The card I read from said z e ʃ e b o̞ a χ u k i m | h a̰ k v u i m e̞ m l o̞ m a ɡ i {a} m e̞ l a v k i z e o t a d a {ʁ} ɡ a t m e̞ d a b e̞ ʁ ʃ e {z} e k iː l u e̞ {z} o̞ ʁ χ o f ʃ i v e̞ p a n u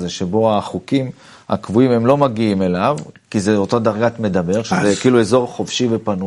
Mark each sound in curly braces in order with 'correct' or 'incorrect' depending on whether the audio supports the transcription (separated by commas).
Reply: incorrect, correct, correct, correct